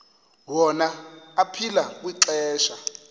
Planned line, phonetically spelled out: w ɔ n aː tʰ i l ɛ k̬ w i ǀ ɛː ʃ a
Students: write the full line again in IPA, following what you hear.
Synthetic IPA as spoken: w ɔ n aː pʰ i l a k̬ w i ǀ ɛː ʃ a

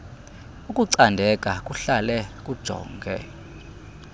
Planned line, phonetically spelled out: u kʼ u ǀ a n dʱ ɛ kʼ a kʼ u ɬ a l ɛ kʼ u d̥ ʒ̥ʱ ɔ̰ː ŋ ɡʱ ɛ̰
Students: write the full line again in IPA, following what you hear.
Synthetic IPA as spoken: u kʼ u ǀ a n dʱ ɛ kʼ a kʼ u ɬ a l ɛ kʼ u d̥ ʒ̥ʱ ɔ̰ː ŋ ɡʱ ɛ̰

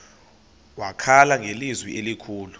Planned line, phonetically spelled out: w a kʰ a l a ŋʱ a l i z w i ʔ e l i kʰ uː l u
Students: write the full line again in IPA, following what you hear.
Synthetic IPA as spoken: w a kʰ a l a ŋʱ e l i z w i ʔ e l i kʰ uː l u

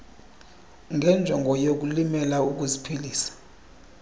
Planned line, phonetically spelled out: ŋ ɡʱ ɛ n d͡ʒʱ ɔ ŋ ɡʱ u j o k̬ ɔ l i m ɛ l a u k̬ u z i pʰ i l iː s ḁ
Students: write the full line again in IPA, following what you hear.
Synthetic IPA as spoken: ŋ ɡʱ ɛ n d͡ʒʱ ɔ ŋ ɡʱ ɔ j o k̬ u l i m ɛ l a u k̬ u z i pʰ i l iː s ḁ

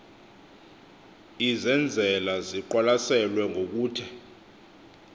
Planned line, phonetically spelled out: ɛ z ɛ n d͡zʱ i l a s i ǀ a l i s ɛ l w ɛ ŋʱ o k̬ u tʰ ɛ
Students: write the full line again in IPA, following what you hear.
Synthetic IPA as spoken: i z ɛ n d͡zʱ ɛ l a z i ǃ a l a s ɛ l w ɛ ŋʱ o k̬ uː tʰ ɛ

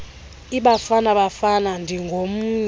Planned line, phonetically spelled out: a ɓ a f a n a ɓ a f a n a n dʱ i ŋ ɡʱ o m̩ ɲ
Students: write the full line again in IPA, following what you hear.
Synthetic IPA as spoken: i ɓ a f a n a ɓ a f a n a n dʱ i ŋ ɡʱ o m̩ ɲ

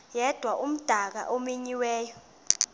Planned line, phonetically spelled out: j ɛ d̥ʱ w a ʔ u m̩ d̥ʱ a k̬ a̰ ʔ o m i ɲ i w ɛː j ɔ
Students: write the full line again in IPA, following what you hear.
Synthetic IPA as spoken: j ɛ d̥ʱ w a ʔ u m̩ d̥ʱ a k̬ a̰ ʔ o m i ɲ i w ɛː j ɔ

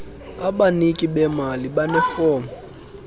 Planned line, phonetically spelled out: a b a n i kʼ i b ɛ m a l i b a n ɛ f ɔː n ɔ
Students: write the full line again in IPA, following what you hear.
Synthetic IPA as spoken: a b a n i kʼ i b ɛ m a l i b a n ɛ f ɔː m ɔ

